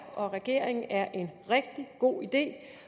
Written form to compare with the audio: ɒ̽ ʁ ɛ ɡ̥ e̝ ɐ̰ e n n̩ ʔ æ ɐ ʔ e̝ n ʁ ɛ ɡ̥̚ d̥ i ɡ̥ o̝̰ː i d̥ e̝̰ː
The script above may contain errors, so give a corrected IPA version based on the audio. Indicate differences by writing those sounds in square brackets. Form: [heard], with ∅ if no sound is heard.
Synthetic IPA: ɒ̽ ʁ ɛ ɡ̥ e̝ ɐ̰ e [ŋ] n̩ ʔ æ ɐ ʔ e̝ n ʁ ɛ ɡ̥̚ d̥ i ɡ̥ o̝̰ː i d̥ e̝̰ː